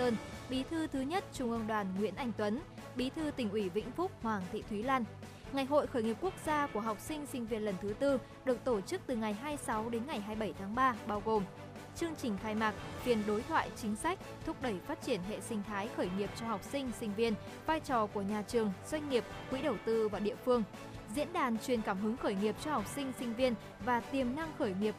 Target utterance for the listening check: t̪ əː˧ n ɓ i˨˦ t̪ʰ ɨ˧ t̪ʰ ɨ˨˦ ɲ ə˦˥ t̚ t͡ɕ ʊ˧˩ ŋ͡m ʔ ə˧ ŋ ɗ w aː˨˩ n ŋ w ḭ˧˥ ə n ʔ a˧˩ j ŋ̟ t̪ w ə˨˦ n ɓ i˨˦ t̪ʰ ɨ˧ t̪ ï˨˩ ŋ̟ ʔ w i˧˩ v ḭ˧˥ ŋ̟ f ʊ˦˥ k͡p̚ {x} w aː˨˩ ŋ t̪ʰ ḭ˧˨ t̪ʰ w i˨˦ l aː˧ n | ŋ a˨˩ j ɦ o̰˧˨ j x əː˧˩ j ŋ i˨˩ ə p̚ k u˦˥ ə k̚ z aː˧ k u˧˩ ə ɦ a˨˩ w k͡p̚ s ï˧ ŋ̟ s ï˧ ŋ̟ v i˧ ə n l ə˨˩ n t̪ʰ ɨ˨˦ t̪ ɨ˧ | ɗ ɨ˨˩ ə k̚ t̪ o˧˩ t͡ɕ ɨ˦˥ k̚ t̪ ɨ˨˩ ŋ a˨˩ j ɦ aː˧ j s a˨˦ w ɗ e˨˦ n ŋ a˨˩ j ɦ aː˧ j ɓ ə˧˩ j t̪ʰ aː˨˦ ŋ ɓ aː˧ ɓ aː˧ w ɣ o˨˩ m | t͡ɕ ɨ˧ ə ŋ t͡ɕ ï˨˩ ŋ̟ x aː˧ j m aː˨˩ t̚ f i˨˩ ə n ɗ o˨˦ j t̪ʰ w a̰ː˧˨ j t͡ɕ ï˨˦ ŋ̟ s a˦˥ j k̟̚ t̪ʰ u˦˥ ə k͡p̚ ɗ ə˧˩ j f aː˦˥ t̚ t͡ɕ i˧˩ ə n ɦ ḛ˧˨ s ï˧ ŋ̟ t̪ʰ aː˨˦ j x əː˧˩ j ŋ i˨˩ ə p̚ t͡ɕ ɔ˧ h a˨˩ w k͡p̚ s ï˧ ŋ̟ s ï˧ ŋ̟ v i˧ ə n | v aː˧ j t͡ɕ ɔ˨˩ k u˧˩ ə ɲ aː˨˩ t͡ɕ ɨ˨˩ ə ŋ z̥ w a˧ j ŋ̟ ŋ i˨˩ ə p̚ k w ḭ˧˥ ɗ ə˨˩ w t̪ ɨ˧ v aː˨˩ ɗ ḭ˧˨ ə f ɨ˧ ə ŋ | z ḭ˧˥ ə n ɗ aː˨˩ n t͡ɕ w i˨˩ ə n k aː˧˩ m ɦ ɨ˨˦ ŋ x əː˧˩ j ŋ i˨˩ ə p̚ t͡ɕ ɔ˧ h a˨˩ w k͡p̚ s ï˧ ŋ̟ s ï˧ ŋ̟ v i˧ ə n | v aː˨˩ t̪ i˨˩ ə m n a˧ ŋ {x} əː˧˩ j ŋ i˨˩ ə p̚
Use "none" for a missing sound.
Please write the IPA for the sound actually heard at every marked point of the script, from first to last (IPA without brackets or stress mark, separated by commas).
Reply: h, x